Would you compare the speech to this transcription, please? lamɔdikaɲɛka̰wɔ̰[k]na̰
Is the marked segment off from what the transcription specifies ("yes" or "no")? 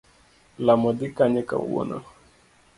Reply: yes